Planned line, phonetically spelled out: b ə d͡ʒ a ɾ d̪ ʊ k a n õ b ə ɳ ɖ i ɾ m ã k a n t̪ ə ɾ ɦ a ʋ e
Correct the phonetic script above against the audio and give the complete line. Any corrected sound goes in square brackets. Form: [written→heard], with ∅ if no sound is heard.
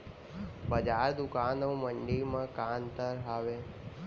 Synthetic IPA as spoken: b ə d͡ʒ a ɾ d̪ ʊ k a n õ [b→m] ə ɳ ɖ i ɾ m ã k a n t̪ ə ɾ ɦ a ʋ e